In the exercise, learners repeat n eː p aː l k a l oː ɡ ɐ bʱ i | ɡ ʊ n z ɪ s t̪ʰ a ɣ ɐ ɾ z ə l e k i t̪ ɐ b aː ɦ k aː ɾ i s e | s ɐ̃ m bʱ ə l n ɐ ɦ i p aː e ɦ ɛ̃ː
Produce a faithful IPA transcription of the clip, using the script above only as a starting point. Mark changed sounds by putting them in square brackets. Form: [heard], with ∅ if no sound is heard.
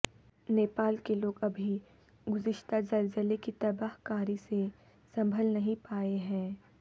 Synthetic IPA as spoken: n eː p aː l k [e] l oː ɡ ɐ bʱ i | ɡ ʊ [∅] z ɪ [ʃ] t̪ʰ a [z] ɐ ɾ z ə l e k i t̪ ɐ b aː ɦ k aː ɾ i s e | s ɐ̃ m bʱ ə l n ɐ ɦ [ĩ] p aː e ɦ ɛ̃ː